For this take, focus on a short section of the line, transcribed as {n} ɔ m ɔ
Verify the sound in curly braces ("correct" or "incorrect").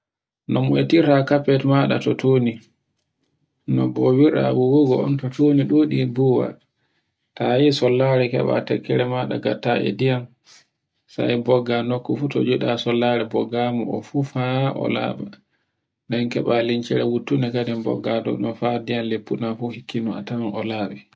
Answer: correct